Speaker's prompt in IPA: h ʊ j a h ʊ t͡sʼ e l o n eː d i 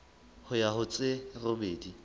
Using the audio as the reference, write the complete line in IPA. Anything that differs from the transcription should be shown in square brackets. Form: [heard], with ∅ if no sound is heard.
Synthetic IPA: h ʊ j a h ʊ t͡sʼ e [r] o [m] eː d i